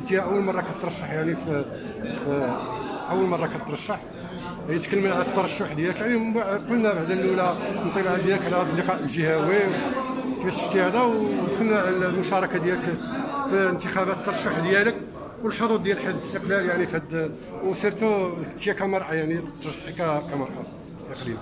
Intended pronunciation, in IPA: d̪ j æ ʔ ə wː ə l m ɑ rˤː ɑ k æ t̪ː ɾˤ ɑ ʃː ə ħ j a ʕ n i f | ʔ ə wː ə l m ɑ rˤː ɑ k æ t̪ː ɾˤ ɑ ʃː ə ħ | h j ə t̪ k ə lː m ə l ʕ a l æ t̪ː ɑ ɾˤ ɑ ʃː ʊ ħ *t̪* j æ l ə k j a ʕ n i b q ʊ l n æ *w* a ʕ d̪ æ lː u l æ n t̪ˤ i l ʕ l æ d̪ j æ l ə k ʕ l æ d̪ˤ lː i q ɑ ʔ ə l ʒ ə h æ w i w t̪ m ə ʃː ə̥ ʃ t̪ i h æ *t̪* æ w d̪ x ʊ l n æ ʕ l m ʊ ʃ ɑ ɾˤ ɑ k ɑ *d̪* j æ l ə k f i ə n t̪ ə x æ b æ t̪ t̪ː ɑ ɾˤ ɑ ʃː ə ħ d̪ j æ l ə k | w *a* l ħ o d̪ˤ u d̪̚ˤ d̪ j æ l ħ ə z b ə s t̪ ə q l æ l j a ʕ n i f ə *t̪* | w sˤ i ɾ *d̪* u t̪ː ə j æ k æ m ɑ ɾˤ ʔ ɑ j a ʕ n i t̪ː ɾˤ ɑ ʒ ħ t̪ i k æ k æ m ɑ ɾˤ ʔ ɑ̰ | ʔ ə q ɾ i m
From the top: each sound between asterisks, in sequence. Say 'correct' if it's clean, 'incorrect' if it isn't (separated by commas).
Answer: incorrect, incorrect, incorrect, correct, incorrect, incorrect, incorrect